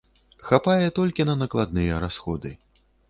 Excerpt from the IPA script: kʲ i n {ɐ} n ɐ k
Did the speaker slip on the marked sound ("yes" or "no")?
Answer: no